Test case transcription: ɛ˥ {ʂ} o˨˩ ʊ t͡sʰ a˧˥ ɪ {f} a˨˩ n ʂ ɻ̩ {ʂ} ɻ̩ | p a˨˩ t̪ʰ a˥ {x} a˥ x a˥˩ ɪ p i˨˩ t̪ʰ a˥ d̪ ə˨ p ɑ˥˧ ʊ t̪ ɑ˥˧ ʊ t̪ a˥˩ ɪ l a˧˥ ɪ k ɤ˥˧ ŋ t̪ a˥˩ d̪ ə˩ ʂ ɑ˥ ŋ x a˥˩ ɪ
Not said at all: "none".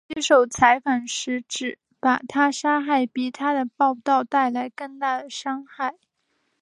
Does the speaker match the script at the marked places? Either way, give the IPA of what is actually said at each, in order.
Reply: ʂ, f, ʈ͡ʂ, ʂ

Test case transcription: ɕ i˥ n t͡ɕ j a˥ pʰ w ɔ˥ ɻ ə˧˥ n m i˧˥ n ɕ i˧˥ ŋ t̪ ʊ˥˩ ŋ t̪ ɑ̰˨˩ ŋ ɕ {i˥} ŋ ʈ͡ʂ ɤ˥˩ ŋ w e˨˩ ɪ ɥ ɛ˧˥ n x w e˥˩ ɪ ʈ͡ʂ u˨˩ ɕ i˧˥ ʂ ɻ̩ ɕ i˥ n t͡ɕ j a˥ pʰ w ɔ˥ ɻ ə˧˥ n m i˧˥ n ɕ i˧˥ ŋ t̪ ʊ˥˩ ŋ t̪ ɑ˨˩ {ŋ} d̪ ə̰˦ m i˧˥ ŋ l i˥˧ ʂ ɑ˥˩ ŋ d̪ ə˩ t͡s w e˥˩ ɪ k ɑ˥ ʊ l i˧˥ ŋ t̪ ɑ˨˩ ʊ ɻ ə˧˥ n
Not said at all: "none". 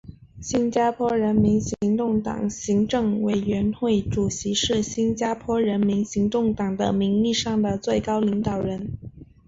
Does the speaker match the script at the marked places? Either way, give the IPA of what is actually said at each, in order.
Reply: i˧˥, ŋ

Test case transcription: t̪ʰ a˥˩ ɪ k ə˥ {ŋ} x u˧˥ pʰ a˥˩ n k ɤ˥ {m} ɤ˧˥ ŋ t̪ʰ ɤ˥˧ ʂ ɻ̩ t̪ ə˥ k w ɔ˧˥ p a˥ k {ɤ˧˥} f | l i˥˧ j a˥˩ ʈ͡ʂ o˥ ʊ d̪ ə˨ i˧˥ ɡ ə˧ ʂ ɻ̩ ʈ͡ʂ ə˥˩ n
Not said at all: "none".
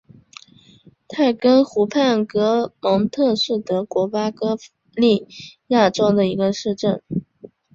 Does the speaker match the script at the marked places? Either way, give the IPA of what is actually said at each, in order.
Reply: n, m, ɤ˥

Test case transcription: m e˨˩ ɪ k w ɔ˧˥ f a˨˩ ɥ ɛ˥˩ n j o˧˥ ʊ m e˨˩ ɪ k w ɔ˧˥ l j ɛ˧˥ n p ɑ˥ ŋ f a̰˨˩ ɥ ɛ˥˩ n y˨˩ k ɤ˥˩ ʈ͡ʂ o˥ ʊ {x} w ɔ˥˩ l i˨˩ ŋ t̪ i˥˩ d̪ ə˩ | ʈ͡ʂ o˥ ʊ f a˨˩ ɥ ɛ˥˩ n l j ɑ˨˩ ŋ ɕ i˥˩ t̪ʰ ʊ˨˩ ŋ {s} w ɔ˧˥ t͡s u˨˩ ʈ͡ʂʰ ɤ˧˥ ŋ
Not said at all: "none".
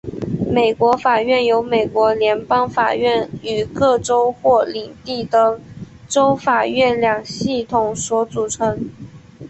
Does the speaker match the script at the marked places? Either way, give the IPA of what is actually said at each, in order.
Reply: x, s

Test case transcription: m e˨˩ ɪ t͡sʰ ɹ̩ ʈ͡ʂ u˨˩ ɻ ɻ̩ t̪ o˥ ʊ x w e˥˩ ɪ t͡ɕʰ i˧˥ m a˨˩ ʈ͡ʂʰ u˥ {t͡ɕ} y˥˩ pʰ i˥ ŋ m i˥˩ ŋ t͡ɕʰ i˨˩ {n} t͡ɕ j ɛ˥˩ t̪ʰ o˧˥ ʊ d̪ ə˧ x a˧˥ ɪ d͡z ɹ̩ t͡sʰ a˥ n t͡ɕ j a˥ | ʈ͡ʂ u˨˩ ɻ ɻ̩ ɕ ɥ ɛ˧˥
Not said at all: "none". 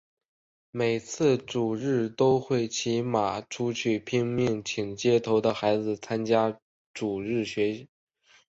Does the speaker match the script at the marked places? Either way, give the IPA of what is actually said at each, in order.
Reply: t͡ɕʰ, ŋ

